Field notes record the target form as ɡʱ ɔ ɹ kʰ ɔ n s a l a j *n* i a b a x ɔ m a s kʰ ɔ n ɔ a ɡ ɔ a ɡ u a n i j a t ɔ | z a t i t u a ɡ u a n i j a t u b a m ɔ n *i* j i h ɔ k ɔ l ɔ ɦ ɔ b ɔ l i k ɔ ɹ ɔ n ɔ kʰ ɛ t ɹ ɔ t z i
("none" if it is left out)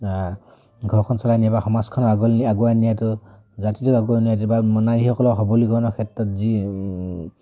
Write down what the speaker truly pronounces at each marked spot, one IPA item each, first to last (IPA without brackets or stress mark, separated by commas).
n, a